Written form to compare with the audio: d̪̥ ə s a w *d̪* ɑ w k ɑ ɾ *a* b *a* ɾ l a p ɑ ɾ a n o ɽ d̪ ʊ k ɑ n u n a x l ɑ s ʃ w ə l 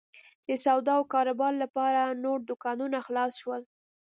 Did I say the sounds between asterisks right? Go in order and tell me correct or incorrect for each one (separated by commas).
correct, correct, incorrect